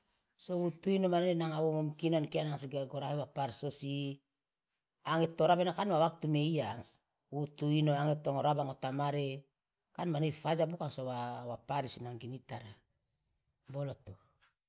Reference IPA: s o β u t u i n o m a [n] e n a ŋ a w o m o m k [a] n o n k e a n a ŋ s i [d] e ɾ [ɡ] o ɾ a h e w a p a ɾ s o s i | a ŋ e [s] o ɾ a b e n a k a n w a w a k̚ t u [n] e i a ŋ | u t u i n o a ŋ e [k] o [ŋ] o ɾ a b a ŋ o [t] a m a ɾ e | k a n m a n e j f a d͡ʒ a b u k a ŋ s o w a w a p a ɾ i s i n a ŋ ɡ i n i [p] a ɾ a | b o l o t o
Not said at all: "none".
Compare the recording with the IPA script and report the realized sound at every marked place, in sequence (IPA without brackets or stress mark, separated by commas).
n, i, ɡ, ɡ, t, m, t, ŋ, t, t